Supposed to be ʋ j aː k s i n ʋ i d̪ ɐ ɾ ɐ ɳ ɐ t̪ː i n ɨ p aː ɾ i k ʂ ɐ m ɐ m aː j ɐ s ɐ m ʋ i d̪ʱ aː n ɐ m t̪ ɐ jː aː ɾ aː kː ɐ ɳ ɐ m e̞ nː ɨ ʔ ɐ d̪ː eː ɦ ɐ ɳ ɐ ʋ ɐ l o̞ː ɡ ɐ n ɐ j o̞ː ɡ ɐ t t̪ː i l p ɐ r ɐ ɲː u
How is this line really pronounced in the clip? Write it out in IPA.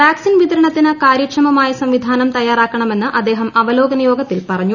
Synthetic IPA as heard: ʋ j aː k s i n ʋ i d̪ ɐ ɾ ɐ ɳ ɐ t̪ː i n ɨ k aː ɾ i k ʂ ɐ m ɐ m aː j ɐ s ɐ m ʋ i d̪ʱ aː n ɐ m t̪ ɐ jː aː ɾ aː kː ɐ ɳ ɐ m e̞ nː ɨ ʔ ɐ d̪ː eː ɦ ɐ m ɐ ʋ ɐ l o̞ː ɡ ɐ n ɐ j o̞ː ɡ ɐ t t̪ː i l p ɐ r ɐ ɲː u

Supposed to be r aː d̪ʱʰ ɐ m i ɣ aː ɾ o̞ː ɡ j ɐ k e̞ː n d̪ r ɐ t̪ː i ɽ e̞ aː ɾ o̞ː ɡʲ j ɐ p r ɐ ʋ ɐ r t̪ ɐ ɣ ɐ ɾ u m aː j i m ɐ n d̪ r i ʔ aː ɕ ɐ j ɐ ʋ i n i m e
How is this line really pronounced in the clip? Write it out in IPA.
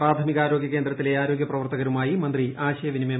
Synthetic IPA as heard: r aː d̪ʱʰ ɐ m i ɣ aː ɾ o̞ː ɡ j ɐ k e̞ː n d̪ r ɐ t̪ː i l e̞ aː ɾ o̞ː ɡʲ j ɐ p r ɐ ʋ ɐ r t̪ ɐ ɣ ɐ ɾ u m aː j i m ɐ n d̪ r i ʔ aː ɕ ɐ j ɐ ʋ i n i m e

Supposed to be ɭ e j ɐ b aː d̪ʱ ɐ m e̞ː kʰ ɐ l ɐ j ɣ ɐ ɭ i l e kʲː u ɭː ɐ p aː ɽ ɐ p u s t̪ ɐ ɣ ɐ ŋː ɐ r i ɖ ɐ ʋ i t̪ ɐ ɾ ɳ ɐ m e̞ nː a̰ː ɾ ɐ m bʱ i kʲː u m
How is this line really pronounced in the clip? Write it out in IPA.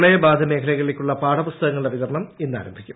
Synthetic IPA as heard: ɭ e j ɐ b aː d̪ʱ ɐ m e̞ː kʰ ɐ l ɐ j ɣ ɐ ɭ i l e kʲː u ɭː ɐ p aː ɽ ɐ p u s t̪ ɐ ɣ ɐ ŋː ɐ ɭ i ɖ ɐ ʋ i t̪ ɐ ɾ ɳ ɐ m e̞ nː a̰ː ɾ ɐ m bʱ i kʲː u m

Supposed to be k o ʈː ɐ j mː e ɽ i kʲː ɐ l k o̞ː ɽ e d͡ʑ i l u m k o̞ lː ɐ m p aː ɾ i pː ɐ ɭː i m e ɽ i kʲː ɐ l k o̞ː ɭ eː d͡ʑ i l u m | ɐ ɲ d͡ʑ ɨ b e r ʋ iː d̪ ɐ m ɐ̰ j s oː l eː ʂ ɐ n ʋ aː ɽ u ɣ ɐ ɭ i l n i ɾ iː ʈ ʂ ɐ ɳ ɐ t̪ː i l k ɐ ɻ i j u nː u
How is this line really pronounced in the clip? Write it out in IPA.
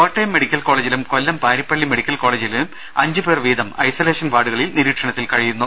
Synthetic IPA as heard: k o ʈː ɐ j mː e ɽ i kʲː ɐ l k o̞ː ɭ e d͡ʑ i l u m k o̞ lː ɐ m p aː ɾ i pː ɐ ɭː i m e ɽ i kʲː ɐ l k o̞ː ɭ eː d͡ʑ i l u m | ɐ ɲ d͡ʑ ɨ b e r ʋ iː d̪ ɐ m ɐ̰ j s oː l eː ʂ ɐ n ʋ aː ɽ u ɣ ɐ ɭ i l n i ɾ iː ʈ ʂ ɐ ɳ ɐ t̪ː i l k ɐ ɻ i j u nː u

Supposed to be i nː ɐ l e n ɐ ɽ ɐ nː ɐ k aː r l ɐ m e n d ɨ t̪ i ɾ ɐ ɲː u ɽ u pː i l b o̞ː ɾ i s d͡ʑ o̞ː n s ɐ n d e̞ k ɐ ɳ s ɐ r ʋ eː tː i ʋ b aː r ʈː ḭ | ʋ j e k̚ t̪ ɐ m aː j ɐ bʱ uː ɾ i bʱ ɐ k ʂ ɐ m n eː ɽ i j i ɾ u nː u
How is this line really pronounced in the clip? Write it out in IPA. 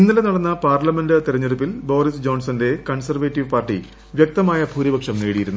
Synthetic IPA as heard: i nː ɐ l e n ɐ ɽ ɐ nː ɐ p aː r l ɐ m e n d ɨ t̪ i ɾ ɐ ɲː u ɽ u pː i l b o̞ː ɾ i s d͡ʑ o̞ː n s ɐ n d e̞ k ɐ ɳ s ɐ r ʋ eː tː i ʋ p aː r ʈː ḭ | ʋ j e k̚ t̪ ɐ m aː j ɐ bʱ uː ɾ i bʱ ɐ k ʂ ɐ m n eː ɽ i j i ɾ u nː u

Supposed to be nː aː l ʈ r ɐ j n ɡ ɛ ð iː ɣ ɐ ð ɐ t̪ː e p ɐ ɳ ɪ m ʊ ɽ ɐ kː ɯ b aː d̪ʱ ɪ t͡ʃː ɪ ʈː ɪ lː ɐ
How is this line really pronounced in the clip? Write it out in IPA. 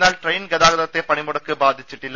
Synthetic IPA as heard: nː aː l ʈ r ɐ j n ɡ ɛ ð aː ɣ ɐ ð ɐ t̪ː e p ɐ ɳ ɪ m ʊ ɽ ɐ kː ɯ b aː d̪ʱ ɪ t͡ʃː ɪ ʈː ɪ lː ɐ

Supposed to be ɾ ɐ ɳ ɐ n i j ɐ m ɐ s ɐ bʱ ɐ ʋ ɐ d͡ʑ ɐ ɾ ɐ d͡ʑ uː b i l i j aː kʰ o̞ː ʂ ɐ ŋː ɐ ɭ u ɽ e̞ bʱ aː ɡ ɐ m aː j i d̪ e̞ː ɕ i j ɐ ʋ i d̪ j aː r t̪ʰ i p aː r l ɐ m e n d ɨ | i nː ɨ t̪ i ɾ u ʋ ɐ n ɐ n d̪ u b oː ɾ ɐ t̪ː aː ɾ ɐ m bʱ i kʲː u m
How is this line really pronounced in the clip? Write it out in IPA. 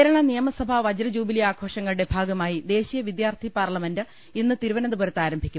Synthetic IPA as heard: ɾ ɐ ɳ ɐ n i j ɐ m ɐ s ɐ bʱ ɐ ʋ ɐ d͡ʑ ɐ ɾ ɐ d͡ʑ uː b i l i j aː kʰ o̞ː ʂ ɐ ŋː ɐ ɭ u ɽ e̞ bʱ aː ɡ ɐ m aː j i d̪ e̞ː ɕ i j ɐ ʋ i d̪ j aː r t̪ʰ i p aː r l ɐ m e n d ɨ | i nː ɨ t̪ i ɾ u ʋ ɐ n ɐ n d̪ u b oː ɾ ɐ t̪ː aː ɾ ɐ m bʱ i kʲː u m

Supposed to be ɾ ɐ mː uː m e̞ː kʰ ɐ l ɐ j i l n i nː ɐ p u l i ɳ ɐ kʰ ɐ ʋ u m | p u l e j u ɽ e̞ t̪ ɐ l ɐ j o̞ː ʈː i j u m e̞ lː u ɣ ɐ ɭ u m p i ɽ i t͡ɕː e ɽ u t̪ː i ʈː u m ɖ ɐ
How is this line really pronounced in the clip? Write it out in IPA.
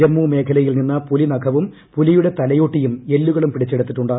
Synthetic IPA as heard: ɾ ɐ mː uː m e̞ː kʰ ɐ l ɐ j i l n i nː ɐ p u l i n ɐ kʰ ɐ ʋ u m | p u l i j u ɽ e̞ t̪ ɐ l ɐ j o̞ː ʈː i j u m e̞ lː u ɣ ɐ ɭ u m p i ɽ i t͡ɕː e ɽ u t̪ː i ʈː u ɳ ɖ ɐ

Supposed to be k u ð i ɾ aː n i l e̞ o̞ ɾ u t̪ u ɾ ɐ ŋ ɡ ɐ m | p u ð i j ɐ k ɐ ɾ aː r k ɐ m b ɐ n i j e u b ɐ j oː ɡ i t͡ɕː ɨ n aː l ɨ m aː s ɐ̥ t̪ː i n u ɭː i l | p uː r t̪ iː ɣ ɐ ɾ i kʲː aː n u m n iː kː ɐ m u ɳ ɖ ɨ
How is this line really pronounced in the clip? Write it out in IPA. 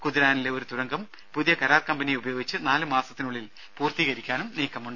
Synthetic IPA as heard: k u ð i ɾ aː n i l e̞ o̞ ɾ u t̪ u ɾ ɐ ŋ ɡ ɐ m | p u ð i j ɐ k ɐ ɾ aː r k ɐ m b ɐ n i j e u b ɐ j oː ɡ i t͡ɕː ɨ n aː l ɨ m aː s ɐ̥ t̪ː i n u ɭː i l | p uː r t̪ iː ɣ ɐ ɾ i kʲː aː n u m n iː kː ɐ m u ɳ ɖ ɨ

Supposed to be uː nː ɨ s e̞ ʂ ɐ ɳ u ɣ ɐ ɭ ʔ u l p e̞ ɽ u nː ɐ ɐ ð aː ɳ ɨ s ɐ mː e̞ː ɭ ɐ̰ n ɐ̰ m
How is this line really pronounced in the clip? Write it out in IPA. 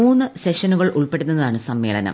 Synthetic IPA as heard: uː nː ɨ s e̞ ʂ ɐ n u ɣ ɐ ɭ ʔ u ɭ p e̞ ɽ u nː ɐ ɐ ð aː ɳ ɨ s ɐ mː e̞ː ɭ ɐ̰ n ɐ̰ m

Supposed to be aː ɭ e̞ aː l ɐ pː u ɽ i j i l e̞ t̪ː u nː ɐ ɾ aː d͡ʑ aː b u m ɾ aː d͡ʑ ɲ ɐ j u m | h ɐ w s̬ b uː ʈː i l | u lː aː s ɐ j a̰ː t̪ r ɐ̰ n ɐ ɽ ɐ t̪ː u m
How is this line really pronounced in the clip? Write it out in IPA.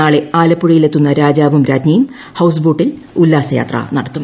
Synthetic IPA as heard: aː ɭ e̞ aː l ɐ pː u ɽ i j i l e̞ t̪ː u nː ɐ ɾ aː d͡ʑ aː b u m ɾ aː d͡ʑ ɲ ɐ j u m | h ɐ w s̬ b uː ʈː i l | u lː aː s ɐ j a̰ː t̪ r ɐ̰ n ɐ ɽ ɐ t̪ː u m

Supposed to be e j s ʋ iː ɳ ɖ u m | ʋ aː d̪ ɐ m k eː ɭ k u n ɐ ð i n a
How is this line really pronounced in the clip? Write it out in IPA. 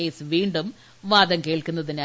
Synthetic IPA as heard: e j s ʋ iː ɳ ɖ u m | ʋ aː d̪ ɐ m k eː ɭ k u nː ɐ ð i n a

